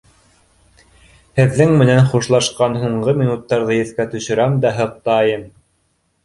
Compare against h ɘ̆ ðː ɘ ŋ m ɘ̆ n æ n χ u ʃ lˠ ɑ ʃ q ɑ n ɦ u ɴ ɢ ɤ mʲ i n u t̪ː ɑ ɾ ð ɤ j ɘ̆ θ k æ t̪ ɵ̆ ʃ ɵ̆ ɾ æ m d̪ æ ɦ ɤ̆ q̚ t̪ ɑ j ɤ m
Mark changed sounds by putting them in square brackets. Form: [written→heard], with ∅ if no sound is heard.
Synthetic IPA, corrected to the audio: h ɘ̆ ðː ɘ ŋ m ɘ̆ n æ n χ u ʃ lˠ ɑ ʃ q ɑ n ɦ u ɴ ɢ ɤ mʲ i n u t̪ː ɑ ɾ ð ɤ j ɘ̆ θ k æ t̪ ɵ̆ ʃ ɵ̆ ɾ æ m d̪ æ ɦ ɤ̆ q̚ t̪ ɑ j ɤ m